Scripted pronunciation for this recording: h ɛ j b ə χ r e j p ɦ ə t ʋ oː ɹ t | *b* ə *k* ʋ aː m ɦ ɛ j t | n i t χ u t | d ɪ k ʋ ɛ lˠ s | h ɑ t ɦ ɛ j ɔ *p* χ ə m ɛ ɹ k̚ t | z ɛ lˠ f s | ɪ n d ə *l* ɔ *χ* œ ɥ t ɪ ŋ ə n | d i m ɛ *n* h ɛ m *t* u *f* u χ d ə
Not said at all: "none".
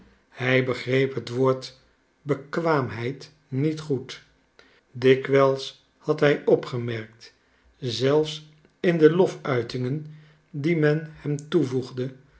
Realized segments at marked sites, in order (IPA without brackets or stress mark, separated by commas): b, k, p, l, f, n, t, v